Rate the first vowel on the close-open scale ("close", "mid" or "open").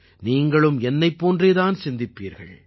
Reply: close